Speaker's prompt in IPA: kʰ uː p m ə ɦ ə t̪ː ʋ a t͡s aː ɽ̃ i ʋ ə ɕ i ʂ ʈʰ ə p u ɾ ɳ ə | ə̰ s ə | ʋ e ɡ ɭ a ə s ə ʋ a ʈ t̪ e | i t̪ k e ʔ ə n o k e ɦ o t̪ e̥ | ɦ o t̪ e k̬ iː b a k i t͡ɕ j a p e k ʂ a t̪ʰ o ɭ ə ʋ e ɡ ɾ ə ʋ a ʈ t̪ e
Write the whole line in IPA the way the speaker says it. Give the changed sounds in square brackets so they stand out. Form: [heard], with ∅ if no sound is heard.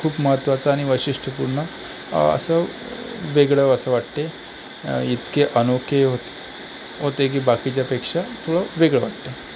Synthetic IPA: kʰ uː p m ə ɦ ə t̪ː ʋ a t͡s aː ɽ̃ i ʋ ə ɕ i ʂ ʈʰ ə p u ɾ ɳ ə | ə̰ s ə | ʋ e ɡ ɭ [ə] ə s ə ʋ a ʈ t̪ e | i t̪ k e ʔ ə n o k e ɦ o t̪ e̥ | ɦ o t̪ e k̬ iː b a k i t͡ɕ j a p e k ʂ a t̪ʰ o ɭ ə ʋ e ɡ [ɭ] ə ʋ a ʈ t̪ e